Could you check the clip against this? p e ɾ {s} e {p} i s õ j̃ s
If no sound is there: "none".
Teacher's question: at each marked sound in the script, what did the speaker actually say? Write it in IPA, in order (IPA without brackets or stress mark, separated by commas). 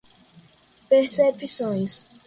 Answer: s, p